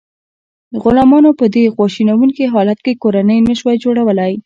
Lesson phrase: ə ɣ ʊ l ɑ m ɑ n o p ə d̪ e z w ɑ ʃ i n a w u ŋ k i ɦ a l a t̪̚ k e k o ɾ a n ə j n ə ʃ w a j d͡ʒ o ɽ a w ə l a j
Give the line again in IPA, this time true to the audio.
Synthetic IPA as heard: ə ɣ ʊ l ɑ m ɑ n o p ə d̪ e ɣ w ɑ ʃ i n a w u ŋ k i ɦ ɑ l a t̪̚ k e k o ɾ a n ə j n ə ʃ w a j d͡ʒ o ɽ a w ə l a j